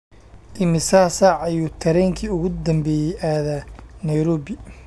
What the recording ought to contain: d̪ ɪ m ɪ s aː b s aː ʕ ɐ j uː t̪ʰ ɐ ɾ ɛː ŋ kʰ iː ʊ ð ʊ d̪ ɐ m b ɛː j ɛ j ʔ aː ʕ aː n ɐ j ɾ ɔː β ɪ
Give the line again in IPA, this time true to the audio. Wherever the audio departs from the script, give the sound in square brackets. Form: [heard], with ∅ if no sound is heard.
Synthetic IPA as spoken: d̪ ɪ m ɪ s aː [∅] s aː ʕ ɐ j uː t̪ʰ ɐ ɾ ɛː ŋ kʰ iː ʊ [ɣ] ʊ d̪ ɐ m b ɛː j ɛ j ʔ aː [ð] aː n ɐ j ɾ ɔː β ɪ